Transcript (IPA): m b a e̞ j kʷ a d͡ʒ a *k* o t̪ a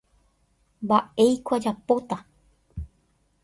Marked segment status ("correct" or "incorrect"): incorrect